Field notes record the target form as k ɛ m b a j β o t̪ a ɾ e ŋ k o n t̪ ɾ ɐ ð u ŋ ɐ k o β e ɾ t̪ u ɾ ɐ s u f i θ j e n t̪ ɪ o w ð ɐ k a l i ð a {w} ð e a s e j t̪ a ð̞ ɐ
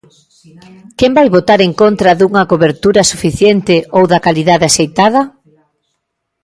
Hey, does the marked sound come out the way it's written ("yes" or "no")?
no